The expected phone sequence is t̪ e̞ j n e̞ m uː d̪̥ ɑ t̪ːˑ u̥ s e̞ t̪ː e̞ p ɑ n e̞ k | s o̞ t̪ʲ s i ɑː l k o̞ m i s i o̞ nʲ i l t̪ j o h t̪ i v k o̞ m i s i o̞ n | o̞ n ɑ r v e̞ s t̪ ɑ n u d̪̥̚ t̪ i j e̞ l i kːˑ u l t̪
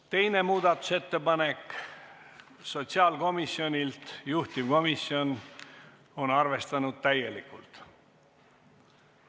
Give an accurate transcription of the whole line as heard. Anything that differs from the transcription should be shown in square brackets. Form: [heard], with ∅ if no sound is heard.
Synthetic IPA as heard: t̪ e̞ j n e̞ m uː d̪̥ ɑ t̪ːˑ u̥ s e̞ t̪ː e̞ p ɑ n e̞ k | s o̞ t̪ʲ s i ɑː l k o̞ m i s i o̞ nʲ i l t̪ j [u] h t̪ i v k o̞ m i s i o̞ n | o̞ n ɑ r v e̞ s t̪ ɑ n u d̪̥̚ t̪ [æ] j e̞ l i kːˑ u l t̪